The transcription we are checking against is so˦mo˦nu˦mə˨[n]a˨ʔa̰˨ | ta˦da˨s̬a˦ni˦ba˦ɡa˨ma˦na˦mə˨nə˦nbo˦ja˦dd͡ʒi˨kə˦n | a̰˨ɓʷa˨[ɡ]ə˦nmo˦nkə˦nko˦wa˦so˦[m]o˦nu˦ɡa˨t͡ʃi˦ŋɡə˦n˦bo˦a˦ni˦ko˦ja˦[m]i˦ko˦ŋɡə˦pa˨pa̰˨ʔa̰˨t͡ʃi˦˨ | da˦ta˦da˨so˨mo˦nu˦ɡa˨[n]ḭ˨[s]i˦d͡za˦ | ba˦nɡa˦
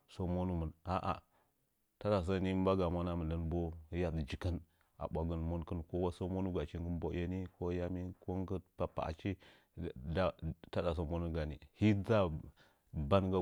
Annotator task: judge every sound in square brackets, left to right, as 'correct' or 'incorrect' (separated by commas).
correct, correct, correct, correct, correct, incorrect